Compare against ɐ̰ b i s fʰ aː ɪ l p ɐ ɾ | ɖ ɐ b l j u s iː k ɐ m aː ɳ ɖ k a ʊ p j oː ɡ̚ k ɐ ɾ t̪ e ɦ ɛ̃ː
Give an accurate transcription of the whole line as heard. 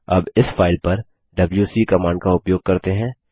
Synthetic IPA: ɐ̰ b ɪ s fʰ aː ɪ l p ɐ ɾ | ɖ ɐ b l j u s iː k ɐ m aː ɳ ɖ k a ʊ p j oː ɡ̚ k ɐ ɾ t̪ e ɦ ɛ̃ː